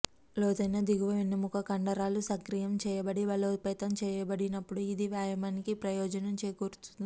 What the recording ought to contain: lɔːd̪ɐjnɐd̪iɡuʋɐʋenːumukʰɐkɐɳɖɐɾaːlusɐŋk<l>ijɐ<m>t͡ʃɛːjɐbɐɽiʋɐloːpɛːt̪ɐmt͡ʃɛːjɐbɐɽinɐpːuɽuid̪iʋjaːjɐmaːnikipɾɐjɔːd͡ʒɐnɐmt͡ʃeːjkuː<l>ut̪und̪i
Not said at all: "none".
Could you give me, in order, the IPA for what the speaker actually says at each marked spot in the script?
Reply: ɾ, m, ɾ

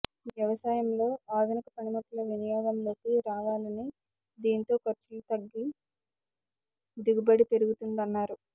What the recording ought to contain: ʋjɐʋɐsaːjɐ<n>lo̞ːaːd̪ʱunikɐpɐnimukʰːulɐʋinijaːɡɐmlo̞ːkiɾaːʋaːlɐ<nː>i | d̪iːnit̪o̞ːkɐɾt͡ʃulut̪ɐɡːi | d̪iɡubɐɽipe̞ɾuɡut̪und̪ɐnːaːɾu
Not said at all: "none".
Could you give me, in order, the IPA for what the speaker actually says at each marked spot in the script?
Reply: m, n

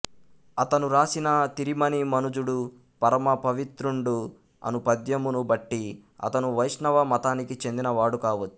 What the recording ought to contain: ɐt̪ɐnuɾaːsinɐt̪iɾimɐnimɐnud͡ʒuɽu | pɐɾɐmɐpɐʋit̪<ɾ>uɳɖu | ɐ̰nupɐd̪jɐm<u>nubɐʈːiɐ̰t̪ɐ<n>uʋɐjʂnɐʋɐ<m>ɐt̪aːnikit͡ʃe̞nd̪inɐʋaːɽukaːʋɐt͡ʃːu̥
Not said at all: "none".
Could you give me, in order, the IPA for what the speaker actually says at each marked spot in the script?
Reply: ɾ, u, n, m

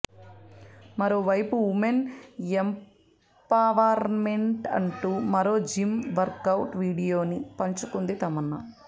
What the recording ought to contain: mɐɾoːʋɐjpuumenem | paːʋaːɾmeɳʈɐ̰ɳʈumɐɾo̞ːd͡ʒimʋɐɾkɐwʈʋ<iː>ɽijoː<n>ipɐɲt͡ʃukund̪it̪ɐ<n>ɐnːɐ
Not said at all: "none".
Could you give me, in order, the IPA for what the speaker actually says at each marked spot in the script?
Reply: iː, n, m

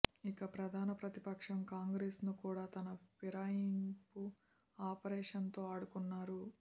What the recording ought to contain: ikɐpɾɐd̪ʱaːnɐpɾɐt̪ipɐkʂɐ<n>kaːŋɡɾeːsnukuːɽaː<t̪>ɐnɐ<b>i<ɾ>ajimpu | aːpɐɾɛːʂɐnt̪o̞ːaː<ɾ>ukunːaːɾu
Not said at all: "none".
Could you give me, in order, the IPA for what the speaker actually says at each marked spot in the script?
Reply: m, t̪, p, ɾ, ɽ

